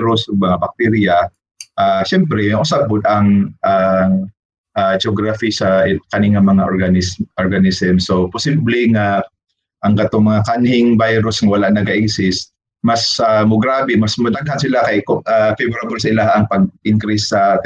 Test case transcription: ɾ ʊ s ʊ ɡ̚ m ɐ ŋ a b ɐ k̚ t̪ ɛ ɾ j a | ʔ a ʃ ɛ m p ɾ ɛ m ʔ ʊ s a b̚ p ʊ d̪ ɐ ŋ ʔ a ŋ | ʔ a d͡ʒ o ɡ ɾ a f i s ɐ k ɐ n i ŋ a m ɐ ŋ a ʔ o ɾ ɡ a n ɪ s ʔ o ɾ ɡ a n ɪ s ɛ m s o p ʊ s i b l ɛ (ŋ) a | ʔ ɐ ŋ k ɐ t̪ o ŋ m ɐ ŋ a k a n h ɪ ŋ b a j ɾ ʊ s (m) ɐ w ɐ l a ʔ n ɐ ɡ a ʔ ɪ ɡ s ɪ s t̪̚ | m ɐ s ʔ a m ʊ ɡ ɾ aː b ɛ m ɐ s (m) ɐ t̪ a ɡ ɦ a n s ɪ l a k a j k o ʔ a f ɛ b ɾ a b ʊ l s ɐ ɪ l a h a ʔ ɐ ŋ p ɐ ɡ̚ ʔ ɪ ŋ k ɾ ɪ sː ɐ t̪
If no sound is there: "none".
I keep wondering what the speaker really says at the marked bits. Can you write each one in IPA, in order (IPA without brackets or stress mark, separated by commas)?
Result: ŋ, ŋ, m